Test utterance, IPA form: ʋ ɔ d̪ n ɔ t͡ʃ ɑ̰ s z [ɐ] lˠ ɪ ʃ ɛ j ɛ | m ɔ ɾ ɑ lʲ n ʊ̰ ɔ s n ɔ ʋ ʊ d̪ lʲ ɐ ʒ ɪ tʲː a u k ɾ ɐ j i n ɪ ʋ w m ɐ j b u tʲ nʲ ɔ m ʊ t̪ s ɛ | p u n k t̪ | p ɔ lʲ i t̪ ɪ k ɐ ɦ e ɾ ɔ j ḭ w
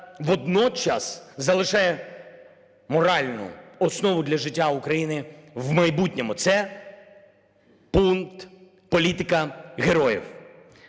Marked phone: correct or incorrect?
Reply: correct